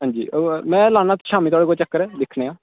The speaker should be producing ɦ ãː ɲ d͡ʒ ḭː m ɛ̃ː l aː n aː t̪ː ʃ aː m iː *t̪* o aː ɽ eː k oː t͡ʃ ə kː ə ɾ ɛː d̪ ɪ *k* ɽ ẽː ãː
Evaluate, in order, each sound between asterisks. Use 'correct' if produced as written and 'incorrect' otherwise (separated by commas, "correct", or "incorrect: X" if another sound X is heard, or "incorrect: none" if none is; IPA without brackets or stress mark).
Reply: correct, incorrect: kʰ